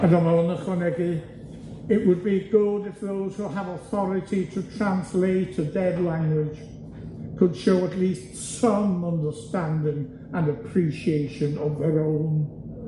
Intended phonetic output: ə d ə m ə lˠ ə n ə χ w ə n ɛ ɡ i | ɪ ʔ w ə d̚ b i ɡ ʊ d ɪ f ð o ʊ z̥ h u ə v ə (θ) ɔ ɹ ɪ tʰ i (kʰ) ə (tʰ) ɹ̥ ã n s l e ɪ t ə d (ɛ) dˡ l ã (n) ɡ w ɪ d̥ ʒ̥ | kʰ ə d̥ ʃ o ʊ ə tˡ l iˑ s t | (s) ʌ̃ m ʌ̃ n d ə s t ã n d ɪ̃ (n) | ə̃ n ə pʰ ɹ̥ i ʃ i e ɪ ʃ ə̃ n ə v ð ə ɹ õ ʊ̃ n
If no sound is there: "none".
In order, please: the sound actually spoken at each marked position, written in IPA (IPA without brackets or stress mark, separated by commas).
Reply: θ, tʰ, tʰ, ɛ, ŋ, s, ŋ